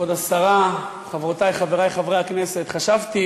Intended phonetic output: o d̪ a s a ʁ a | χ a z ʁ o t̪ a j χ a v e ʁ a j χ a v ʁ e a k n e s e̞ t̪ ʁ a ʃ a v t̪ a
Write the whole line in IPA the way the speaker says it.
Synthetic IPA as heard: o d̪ a s a ʁ a | χ a v ʁ o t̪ a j χ a v e ʁ a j χ a v ʁ e a k n e s e̞ t̪ χ a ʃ a v t̪ i